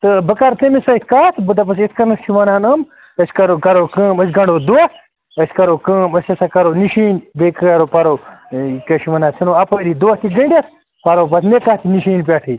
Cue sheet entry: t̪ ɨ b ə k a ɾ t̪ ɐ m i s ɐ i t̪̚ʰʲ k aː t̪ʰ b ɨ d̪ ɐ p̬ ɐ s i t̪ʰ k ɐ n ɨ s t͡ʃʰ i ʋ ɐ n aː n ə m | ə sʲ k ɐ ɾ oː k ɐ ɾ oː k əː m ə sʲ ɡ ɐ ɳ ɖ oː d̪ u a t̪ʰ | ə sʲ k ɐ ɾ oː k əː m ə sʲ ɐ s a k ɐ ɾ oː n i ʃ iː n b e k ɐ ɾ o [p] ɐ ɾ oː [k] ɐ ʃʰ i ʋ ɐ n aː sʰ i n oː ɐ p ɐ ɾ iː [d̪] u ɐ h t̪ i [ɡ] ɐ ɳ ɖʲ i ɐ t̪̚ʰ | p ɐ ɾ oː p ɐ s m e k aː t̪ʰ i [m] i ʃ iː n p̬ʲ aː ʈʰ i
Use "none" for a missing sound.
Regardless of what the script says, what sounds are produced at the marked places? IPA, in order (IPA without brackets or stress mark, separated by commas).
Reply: p, k, d̪, ɡ, n